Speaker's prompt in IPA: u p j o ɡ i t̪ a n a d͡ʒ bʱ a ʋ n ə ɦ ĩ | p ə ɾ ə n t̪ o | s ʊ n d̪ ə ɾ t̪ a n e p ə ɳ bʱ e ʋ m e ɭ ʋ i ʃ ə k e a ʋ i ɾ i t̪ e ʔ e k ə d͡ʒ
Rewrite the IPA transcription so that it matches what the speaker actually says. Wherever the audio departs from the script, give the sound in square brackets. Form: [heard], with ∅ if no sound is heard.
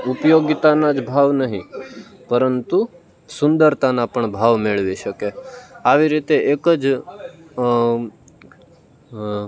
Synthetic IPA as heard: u p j o ɡ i t̪ a n a d͡ʒ bʱ a ʋ n ə ɦ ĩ | p ə ɾ ə n t̪ [u] | s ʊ n d̪ ə ɾ t̪ a n [a] p ə ɳ bʱ [a] ʋ m e ɭ ʋ i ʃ ə k e a ʋ i ɾ i t̪ e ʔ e k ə d͡ʒ